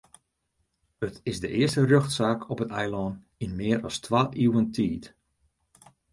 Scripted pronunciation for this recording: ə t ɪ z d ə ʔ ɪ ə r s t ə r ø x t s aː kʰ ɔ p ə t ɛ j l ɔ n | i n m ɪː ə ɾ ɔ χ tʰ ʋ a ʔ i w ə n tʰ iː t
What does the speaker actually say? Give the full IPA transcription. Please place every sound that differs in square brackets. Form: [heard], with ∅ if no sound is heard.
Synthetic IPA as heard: ə t ɪ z d ə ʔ ɪ ə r s t ə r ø x t s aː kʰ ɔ p ə t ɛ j l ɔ n | i n m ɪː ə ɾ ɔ [s] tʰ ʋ a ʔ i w ə n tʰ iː t